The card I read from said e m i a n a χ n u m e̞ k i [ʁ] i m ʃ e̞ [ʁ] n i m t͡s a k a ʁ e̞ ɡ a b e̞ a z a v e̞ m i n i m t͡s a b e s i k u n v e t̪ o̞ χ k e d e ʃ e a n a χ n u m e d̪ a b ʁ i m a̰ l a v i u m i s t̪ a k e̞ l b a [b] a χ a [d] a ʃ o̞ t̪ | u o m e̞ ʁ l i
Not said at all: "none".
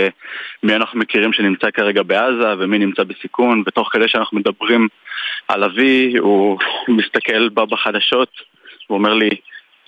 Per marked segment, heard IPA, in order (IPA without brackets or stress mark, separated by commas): ʁ, none, b, d